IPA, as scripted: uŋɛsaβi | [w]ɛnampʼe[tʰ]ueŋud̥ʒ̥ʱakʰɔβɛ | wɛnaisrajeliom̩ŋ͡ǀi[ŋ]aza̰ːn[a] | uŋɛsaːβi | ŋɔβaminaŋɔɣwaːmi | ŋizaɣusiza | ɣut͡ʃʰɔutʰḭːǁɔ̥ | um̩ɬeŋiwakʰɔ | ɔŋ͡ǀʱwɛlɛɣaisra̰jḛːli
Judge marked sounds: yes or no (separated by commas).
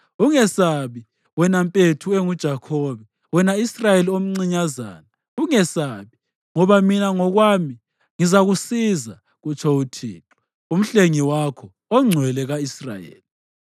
yes, yes, no, yes